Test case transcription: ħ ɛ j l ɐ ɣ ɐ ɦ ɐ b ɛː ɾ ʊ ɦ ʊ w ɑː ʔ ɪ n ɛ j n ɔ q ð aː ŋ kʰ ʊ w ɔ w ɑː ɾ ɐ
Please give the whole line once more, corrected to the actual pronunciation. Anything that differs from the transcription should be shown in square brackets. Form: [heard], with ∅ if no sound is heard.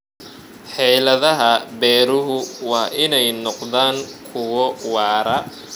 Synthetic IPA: ħ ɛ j l ɐ [ð] ɐ ɦ ɐ b ɛː ɾ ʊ ɦ ʊ w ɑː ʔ ɪ n ɛ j n ɔ q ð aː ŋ kʰ ʊ w ɔ w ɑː ɾ ɐ

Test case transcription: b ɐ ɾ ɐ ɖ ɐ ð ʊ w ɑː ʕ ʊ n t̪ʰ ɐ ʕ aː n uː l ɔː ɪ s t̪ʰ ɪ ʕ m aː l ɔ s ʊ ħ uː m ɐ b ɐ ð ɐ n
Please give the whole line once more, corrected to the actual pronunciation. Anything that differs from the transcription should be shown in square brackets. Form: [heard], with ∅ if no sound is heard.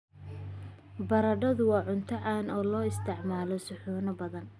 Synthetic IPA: b ɐ ɾ ɐ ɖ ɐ ð ʊ w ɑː ʕ ʊ n t̪ʰ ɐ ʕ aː n [ɔː] l ɔː ɪ s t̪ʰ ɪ ʕ m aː l ɔ s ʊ ħ uː [n] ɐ b ɐ ð ɐ n

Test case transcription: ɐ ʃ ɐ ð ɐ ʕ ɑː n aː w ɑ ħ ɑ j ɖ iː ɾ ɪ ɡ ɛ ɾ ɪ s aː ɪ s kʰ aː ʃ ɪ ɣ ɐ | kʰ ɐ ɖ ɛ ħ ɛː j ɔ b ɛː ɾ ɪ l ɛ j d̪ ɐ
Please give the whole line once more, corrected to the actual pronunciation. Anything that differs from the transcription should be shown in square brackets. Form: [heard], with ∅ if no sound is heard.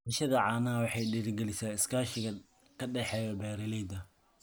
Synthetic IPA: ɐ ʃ ɐ ð ɐ ʕ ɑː n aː w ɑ ħ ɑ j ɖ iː ɾ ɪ ɡ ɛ [l] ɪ s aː ɪ s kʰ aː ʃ ɪ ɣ ɐ | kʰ ɐ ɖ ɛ ħ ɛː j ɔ b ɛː ɾ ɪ l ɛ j d̪ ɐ

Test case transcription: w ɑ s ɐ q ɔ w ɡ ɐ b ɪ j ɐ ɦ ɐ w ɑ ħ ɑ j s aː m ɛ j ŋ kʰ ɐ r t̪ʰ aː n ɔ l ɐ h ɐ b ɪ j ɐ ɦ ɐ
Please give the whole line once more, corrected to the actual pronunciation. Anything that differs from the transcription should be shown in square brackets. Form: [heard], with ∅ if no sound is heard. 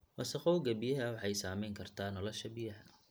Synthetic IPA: w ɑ s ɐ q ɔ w ɡ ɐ b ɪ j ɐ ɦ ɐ w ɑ ħ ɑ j s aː m ɛ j ŋ kʰ ɐ r t̪ʰ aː n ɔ l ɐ [ʃ] ɐ b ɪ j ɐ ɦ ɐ

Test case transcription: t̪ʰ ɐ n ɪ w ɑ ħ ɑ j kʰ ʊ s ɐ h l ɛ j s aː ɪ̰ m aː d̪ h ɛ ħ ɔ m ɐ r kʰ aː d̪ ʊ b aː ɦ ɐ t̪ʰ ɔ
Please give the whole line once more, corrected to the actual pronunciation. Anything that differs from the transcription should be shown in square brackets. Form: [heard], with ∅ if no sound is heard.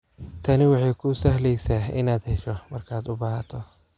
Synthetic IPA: t̪ʰ ɐ n ɪ w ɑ ħ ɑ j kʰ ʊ s ɐ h l ɛ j s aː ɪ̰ [n] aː d̪ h ɛ [ʃ] ɔ m ɐ r kʰ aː d̪ ʊ b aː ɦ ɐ t̪ʰ ɔ

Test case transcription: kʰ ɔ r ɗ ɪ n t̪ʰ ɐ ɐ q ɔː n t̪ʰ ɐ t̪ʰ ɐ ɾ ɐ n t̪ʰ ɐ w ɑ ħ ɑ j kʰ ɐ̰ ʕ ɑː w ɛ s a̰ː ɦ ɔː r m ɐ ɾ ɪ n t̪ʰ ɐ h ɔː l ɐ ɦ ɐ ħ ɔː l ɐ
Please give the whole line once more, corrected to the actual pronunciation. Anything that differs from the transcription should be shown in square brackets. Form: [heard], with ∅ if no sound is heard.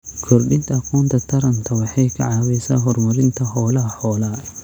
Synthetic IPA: kʰ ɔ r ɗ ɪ n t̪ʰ ɐ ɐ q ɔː n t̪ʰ ɐ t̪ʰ ɐ ɾ ɐ n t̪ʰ ɐ w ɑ ħ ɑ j kʰ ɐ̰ ʕ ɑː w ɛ s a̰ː ɦ [ɔ] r m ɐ ɾ ɪ n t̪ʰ ɐ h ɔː l ɐ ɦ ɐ ħ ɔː l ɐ

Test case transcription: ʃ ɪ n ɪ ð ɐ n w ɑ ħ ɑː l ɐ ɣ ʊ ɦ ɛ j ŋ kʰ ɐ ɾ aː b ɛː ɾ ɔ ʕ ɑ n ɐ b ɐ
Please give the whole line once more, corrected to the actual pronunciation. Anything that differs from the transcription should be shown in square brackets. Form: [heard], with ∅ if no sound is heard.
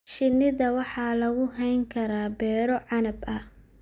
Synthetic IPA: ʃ ɪ n ɪ ð ɐ [∅] w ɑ ħ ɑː l ɐ ɣ ʊ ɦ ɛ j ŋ kʰ ɐ ɾ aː b ɛː ɾ ɔ ʕ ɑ n ɐ b ɐ

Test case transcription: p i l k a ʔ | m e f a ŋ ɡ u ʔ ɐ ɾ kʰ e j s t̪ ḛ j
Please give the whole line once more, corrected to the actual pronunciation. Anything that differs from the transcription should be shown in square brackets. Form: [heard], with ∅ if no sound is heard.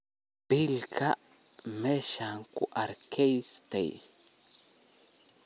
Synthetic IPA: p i l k a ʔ | m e [ʃ] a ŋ [k] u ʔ [a] ɾ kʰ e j s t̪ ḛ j

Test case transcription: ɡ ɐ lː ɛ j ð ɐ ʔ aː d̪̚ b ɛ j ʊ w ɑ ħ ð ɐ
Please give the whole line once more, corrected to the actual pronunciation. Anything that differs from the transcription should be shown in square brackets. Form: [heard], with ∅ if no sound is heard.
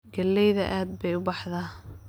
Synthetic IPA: ɡ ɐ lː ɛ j ð ɐ ʔ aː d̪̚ b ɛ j ʊ [b] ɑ ħ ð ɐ

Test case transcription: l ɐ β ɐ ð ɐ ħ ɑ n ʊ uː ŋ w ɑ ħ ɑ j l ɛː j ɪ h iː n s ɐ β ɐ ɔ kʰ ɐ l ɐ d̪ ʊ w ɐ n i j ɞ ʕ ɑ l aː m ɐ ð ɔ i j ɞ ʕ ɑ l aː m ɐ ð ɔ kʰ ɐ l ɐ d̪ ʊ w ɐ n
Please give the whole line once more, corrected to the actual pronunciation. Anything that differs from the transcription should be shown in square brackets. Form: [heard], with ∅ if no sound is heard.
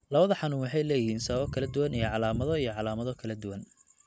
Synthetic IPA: l ɐ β ɐ ð ɐ ħ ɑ n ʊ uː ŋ w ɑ ħ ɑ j l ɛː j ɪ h iː n s ɐ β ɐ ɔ kʰ ɐ l ɐ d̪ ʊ w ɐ n i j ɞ ʕ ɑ l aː m ɐ ð ɔ i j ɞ ʕ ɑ l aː m ɐ ð ɔ kʰ ɐ l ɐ d̪ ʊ w ɐ n

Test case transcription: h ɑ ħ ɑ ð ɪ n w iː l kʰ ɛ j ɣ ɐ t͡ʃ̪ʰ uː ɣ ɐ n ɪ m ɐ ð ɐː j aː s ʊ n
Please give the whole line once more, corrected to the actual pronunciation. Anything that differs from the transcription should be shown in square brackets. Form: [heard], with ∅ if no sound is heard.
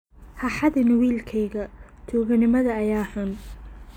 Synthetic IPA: h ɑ ħ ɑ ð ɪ n w iː l kʰ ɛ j ɣ ɐ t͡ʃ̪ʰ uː ɣ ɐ n ɪ m ɐ ð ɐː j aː [ħ] ʊ n

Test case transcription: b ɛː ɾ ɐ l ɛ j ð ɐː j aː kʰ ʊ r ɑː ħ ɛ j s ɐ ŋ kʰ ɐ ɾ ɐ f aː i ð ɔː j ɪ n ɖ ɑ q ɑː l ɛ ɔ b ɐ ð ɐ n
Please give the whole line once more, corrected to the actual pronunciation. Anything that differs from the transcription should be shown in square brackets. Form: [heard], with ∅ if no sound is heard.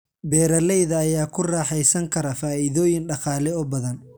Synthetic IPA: b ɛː ɾ ɐ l ɛ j ð ɐː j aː kʰ ʊ r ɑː ħ ɛ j s ɐ ŋ kʰ ɐ ɾ ɐ f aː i ð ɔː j ɪ n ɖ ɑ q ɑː l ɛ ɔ b ɐ ð ɐ n

